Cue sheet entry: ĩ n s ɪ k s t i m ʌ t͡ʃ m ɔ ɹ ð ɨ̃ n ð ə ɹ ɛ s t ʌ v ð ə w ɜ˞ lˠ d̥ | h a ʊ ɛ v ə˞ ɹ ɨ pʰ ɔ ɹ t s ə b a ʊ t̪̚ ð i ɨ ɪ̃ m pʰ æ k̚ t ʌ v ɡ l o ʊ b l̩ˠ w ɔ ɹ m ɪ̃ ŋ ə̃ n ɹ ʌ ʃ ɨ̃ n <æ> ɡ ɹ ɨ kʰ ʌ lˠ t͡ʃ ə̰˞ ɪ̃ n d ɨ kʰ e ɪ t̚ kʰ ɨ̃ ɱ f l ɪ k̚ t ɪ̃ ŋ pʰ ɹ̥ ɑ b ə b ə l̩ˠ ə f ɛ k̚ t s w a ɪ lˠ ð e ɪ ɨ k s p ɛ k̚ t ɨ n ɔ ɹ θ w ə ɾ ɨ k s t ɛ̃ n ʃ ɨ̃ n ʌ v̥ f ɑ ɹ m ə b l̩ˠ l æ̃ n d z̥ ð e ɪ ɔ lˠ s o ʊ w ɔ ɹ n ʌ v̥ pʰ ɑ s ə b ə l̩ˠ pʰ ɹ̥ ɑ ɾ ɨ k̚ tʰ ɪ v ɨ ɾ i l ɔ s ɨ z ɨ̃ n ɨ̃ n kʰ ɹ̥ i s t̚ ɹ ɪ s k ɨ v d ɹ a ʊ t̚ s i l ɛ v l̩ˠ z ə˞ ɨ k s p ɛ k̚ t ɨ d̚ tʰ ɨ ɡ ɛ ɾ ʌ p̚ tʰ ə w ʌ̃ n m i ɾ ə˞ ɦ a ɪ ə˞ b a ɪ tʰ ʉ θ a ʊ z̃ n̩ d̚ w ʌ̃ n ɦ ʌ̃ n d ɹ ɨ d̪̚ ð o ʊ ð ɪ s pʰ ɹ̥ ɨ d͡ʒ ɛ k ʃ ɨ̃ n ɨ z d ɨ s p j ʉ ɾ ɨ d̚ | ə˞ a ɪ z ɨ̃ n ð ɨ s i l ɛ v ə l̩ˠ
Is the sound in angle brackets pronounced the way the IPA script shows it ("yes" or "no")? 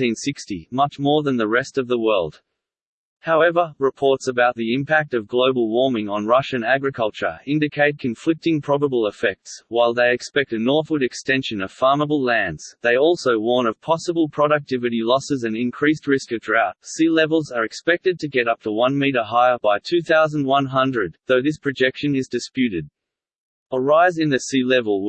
yes